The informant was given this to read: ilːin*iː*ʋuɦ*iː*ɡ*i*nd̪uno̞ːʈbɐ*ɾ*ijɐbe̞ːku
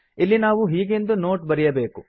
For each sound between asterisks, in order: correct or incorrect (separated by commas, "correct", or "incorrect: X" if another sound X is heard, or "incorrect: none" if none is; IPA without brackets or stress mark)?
incorrect: aː, correct, incorrect: e, correct